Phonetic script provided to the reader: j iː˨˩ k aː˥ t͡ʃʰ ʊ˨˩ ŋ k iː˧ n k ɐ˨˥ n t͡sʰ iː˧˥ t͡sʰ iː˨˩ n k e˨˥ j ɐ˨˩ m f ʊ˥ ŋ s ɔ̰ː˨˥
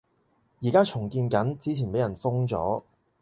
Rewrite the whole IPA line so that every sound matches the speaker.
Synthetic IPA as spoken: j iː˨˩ k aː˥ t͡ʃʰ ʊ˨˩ ŋ k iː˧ n k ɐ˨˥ n t͡s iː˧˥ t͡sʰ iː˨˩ n p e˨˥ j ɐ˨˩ n f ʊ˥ ŋ t͡s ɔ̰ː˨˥

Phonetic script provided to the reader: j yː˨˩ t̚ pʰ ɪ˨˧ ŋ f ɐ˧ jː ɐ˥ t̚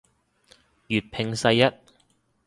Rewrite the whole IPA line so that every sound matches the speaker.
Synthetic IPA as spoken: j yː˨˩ t̚ pʰ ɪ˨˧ ŋ s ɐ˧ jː ɐ˥ t̚

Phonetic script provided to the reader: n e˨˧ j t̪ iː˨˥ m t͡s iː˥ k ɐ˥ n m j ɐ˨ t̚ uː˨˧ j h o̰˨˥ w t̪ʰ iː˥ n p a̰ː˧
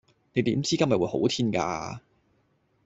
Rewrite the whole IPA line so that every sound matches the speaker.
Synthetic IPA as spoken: n e˨˧ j t̪ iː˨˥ m t͡s iː˥ k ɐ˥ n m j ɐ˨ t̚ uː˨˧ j h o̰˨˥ w t̪ʰ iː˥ n k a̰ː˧

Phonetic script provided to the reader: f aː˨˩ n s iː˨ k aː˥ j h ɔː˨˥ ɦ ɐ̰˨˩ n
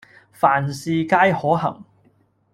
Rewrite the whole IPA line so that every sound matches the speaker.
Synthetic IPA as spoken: f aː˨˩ n s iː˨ k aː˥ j h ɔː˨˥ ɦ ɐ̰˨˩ ŋ

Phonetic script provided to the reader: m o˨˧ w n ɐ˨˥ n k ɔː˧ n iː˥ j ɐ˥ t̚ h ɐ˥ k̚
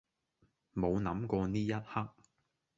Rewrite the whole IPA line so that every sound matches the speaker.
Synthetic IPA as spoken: m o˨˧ w n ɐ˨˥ m k ɔː˧ n iː˥ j ɐ˥ t̚ h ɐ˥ k̚

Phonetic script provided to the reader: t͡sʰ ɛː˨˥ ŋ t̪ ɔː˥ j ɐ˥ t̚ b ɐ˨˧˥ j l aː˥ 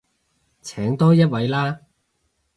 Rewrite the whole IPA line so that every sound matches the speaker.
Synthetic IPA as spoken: t͡sʰ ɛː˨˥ ŋ t̪ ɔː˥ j ɐ˥ t̚ w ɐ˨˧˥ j l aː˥

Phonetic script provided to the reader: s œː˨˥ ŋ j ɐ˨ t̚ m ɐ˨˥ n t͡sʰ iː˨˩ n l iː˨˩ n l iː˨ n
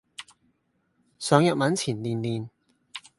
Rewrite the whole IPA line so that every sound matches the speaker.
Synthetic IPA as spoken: s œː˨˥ ŋ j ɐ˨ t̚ m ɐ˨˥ n t͡sʰ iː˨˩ n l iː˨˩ n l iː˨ n

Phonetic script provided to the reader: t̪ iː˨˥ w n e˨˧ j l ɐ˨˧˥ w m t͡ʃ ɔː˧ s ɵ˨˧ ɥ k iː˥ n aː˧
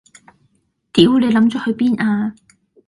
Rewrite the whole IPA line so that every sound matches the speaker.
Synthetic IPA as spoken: t̪ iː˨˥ w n e˨˧ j l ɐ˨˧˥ m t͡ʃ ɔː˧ h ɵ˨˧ ɥ p iː˥ n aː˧

